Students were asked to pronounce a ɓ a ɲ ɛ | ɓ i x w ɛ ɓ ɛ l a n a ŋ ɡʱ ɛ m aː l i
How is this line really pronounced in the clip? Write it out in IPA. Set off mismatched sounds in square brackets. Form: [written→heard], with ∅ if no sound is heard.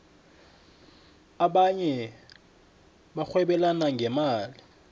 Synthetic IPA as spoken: a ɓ a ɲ ɛ | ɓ [i→a] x w ɛ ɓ ɛ l a n a ŋ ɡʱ ɛ m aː l i